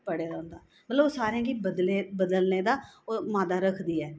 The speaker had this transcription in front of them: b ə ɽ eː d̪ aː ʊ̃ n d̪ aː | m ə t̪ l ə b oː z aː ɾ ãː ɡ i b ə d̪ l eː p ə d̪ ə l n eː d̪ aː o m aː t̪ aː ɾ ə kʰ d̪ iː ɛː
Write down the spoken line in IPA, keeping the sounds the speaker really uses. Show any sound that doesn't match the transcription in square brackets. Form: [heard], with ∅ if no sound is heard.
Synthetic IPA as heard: [p] ə ɽ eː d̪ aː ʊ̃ n d̪ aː | m ə t̪ l ə b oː [s] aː ɾ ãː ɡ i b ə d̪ l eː [b] ə d̪ ə l n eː d̪ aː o m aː [d̪] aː ɾ ə kʰ d̪ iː ɛː